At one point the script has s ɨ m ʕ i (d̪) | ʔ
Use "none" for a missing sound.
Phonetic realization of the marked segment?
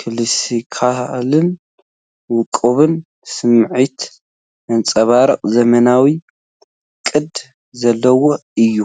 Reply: t̪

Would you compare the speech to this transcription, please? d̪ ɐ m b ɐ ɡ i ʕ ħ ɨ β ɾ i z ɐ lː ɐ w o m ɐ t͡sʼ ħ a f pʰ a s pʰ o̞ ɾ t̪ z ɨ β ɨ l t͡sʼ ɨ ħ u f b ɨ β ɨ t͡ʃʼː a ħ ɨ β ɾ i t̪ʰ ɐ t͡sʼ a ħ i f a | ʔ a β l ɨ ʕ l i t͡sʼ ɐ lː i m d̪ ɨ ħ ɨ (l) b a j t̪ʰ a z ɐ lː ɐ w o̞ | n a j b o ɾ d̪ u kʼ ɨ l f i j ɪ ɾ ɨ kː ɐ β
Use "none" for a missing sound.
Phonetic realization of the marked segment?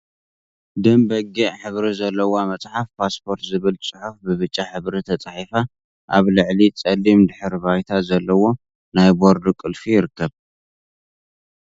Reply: ɾ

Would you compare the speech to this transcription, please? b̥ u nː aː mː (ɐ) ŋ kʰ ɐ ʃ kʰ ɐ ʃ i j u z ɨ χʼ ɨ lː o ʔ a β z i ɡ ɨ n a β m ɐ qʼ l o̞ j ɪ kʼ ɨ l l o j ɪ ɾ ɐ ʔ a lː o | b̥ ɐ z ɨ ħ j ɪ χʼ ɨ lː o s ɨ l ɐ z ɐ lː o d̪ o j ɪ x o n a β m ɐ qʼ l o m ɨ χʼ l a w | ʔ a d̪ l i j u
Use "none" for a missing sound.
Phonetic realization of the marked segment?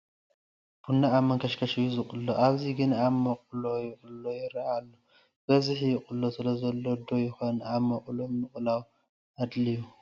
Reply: ɐ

